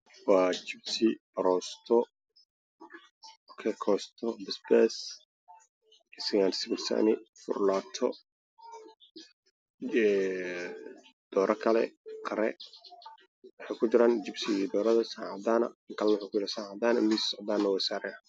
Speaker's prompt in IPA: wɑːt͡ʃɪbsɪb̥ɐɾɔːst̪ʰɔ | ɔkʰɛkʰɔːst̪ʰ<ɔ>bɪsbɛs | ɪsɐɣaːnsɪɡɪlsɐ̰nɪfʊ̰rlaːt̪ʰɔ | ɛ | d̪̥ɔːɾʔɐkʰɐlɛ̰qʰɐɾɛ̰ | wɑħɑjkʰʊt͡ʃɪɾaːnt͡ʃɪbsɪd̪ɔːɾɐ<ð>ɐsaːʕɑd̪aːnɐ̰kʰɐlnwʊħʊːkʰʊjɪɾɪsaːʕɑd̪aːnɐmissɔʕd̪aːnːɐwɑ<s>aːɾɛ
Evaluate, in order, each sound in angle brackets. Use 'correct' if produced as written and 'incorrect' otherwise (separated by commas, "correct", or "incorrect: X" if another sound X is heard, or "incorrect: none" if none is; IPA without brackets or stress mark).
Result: correct, correct, correct